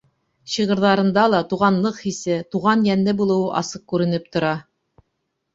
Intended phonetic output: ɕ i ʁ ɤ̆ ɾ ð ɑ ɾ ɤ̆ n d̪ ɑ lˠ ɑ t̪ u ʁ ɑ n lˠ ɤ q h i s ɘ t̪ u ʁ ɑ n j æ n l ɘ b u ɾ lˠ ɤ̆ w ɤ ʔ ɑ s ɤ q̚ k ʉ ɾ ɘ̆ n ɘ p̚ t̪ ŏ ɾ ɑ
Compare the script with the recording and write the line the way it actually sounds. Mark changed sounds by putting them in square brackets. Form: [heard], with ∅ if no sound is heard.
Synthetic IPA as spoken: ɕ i ʁ ɤ̆ ɾ ð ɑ ɾ ɤ̆ n d̪ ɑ lˠ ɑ t̪ u ʁ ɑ n lˠ ɤ q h i s ɘ t̪ u ʁ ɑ n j æ n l ɘ b u [∅] lˠ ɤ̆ w ɤ ʔ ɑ s ɤ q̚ k ʉ ɾ ɘ̆ n ɘ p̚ t̪ ŏ ɾ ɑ